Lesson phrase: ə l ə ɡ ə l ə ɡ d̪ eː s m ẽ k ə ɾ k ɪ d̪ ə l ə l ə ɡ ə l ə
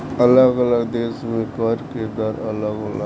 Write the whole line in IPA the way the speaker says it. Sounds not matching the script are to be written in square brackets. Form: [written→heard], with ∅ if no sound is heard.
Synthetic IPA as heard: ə l ə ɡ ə l ə ɡ d̪ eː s m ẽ k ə ɾ k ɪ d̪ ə [l→ɾ] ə l ə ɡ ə l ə